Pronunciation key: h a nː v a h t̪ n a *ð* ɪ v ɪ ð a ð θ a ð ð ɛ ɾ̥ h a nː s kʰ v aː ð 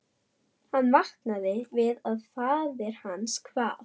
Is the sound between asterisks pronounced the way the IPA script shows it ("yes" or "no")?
yes